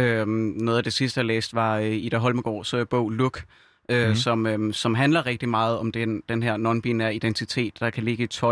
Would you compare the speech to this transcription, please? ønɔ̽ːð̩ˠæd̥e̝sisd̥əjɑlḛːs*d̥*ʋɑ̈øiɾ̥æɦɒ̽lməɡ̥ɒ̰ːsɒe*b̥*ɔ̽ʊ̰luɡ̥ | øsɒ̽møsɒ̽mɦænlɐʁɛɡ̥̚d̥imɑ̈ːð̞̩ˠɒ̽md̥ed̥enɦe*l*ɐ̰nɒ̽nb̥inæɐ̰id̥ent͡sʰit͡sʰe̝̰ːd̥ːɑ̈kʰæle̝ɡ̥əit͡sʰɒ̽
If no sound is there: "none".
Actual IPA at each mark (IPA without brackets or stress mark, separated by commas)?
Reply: d̥, b̥, none